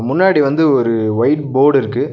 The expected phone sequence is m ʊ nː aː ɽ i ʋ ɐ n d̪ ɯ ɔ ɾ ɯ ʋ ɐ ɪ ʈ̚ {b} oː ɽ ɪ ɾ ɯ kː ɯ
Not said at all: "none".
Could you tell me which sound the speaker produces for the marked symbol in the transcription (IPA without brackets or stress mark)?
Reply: b